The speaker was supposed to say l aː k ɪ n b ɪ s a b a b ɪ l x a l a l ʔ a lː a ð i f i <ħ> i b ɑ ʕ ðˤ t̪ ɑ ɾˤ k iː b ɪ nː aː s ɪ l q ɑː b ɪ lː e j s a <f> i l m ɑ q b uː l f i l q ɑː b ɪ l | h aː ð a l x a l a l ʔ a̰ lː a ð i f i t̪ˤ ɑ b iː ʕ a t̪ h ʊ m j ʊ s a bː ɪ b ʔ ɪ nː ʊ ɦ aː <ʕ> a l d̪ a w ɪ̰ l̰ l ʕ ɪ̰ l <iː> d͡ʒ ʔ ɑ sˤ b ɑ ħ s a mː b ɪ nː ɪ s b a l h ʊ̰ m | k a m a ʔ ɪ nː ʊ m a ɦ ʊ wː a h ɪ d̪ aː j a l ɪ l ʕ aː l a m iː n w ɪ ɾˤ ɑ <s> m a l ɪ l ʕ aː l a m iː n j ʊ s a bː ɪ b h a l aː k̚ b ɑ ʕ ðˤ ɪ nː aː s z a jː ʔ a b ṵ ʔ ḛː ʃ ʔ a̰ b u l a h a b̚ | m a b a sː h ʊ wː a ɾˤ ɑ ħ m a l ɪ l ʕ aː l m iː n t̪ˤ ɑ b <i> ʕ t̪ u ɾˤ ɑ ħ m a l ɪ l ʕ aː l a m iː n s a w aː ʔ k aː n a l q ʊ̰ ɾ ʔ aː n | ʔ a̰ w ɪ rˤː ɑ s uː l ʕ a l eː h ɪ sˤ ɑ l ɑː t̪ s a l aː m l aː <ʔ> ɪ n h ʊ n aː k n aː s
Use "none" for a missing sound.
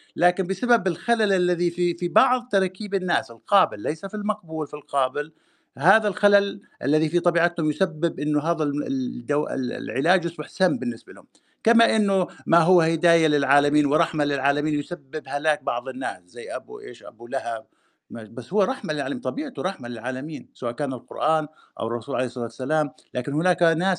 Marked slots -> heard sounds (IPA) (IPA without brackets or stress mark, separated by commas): f, f, ð, aː, ħ, iː, k